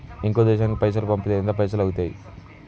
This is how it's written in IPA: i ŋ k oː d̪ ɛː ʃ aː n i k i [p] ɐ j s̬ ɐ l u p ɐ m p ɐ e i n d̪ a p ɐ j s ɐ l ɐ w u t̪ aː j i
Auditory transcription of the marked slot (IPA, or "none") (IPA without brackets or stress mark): p